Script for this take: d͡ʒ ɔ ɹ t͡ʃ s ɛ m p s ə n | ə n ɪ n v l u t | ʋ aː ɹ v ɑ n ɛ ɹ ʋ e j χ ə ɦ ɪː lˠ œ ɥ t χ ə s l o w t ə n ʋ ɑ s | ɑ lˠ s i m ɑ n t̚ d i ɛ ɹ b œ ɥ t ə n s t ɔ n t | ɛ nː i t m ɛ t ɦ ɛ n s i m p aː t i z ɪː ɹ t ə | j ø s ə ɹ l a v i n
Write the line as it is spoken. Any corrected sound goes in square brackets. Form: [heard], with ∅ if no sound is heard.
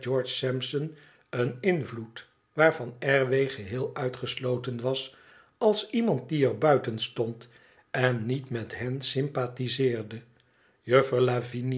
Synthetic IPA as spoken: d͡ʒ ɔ ɹ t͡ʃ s ɛ m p s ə n | ə n ɪ n v l u t | ʋ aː ɹ v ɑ n ɛ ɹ ʋ e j χ ə ɦ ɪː lˠ œ ɥ t χ ə s l o w t ə n ʋ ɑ s | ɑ lˠ s i m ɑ n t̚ d i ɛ ɹ b œ ɥ t ə n s t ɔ n t | ɛ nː i t m ɛ t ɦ ɛ n s [ɪ] m p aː t i z ɪː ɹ [d] ə | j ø [f] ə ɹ l a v i n